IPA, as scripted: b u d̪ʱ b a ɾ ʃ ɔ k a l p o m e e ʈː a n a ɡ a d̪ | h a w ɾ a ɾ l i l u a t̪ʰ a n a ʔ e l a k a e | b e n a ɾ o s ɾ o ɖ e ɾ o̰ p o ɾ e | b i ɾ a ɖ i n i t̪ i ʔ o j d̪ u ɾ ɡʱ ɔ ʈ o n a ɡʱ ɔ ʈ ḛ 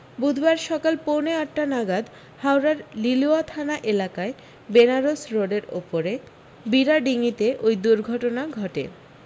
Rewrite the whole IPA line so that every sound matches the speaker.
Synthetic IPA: b u d̪ʱ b a ɾ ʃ ɔ k a l p o n e a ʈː a n a ɡ a d̪ | h a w ɾ a ɾ l i l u a t̪ʰ a n a ʔ e l a k a e | b e n a ɾ o s ɾ o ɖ e ɾ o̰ p o ɾ e | b i ɾ a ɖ i ŋ i t̪ e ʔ o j d̪ u ɾ ɡʱ ɔ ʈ o n a ɡʱ ɔ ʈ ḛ